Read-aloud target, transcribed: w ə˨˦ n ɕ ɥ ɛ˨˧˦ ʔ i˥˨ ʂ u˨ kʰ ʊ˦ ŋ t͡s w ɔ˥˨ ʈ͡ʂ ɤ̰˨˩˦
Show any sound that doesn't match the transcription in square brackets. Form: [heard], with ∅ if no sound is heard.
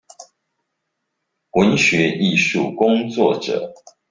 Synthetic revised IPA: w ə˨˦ n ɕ ɥ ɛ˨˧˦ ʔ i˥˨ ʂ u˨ [k] ʊ˦ ŋ t͡s w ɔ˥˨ ʈ͡ʂ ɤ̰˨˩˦

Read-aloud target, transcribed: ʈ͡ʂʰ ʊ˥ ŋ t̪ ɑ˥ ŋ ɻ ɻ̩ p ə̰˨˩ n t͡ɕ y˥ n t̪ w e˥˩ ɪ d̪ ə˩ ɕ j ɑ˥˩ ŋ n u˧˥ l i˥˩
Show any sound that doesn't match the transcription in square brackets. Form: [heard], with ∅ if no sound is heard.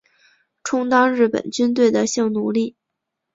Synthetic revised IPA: ʈ͡ʂʰ ʊ˥ ŋ t̪ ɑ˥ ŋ ɻ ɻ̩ p ə̰˨˩ n t͡ɕ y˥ n t̪ w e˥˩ ɪ d̪ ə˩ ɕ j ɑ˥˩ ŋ n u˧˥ l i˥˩

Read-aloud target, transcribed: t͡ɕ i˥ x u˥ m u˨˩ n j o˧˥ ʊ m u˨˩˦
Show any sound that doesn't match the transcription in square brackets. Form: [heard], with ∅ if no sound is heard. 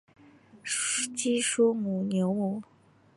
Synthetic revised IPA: t͡ɕ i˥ [ʂ] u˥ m u˨˩ n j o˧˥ ʊ m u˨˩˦

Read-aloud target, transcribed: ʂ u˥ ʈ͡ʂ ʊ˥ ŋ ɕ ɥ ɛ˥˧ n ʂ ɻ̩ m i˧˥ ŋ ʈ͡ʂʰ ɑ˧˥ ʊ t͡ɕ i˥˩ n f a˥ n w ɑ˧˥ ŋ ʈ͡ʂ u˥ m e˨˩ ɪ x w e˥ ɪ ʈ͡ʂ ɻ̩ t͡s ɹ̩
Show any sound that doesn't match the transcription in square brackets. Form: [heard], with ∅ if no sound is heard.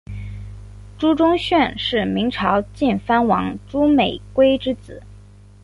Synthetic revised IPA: [ʈ͡ʂ] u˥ ʈ͡ʂ ʊ˥ ŋ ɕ ɥ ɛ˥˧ n ʂ ɻ̩ m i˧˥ ŋ ʈ͡ʂʰ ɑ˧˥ ʊ t͡ɕ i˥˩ n f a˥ n w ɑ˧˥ ŋ ʈ͡ʂ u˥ m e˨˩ ɪ [k] w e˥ ɪ ʈ͡ʂ ɻ̩ t͡s ɹ̩

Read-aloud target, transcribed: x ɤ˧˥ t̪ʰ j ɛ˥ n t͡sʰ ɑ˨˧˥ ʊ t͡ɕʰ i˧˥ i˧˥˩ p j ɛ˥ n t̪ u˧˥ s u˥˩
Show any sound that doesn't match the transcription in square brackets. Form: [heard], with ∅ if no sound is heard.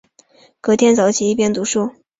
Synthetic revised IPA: [k] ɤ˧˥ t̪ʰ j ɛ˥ n [t͡s] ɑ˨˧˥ ʊ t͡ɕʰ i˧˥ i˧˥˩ p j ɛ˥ n t̪ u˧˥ [ʂ] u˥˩

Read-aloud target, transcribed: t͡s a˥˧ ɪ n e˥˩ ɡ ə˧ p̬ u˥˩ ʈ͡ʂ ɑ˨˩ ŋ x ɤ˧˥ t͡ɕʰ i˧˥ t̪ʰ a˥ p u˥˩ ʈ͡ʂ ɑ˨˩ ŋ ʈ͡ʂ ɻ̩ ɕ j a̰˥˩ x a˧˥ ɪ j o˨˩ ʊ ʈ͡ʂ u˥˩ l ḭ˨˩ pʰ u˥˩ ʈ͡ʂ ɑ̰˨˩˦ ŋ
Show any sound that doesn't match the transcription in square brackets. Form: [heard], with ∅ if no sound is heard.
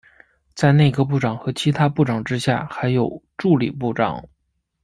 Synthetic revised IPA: t͡s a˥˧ ɪ n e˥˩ ɡ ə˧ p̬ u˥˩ ʈ͡ʂ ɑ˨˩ ŋ x ɤ˧˥ t͡ɕʰ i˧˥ t̪ʰ a˥ p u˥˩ ʈ͡ʂ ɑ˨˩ ŋ ʈ͡ʂ ɻ̩ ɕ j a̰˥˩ x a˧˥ ɪ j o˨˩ ʊ ʈ͡ʂ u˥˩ l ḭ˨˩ [p] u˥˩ ʈ͡ʂ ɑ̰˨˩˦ ŋ

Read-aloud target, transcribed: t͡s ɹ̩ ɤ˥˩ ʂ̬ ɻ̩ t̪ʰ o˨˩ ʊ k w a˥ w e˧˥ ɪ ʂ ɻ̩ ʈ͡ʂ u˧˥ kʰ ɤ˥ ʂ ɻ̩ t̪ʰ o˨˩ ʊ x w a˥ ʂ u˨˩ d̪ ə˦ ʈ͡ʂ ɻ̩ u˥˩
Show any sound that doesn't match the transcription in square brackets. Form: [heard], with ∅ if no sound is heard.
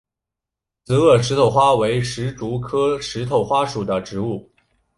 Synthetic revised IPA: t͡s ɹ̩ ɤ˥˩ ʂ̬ ɻ̩ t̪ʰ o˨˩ ʊ [x] w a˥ w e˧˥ ɪ ʂ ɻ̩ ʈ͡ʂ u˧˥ kʰ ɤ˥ ʂ ɻ̩ t̪ʰ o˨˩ ʊ x w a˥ ʂ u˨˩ d̪ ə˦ ʈ͡ʂ ɻ̩ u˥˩

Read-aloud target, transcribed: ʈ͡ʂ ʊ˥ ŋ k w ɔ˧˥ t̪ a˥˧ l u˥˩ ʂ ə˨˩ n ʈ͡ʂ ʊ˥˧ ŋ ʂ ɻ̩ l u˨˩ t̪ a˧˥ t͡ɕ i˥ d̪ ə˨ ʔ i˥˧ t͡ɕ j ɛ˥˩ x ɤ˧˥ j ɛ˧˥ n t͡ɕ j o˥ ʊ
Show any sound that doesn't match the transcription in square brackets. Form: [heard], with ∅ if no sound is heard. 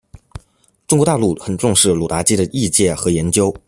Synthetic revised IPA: ʈ͡ʂ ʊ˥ ŋ k w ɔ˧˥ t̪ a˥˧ l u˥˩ [x] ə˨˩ n ʈ͡ʂ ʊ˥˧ ŋ ʂ ɻ̩ l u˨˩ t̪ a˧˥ t͡ɕ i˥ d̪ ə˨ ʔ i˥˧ t͡ɕ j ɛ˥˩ x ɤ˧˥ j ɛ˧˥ n t͡ɕ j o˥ ʊ

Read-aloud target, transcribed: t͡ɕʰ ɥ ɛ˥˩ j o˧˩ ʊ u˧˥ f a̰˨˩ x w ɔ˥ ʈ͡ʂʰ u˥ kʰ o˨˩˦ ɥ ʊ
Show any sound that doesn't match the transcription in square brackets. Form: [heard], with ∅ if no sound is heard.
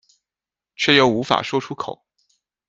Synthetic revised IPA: t͡ɕʰ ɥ ɛ˥˩ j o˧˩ ʊ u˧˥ f a̰˨˩ [ʂ] w ɔ˥ ʈ͡ʂʰ u˥ kʰ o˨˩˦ [∅] ʊ

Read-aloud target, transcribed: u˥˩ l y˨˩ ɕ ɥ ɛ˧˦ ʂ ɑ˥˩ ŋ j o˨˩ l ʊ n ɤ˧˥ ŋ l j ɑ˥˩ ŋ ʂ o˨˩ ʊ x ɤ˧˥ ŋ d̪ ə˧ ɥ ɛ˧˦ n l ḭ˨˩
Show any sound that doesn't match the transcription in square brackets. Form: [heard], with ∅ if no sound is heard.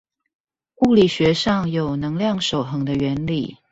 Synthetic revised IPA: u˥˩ l [i˨˩] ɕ ɥ ɛ˧˦ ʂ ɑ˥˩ ŋ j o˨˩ [∅] ʊ n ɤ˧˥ ŋ l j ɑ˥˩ ŋ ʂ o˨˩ ʊ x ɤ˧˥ ŋ d̪ ə˧ ɥ ɛ˧˦ n l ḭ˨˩

